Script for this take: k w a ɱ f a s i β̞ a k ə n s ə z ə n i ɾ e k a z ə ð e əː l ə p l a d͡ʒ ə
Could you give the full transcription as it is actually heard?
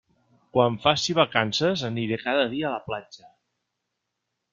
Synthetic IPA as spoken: k w a ɱ f a s i β̞ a k a n s ə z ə n i ɾ e k a ð ə ð i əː l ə p l a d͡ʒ ə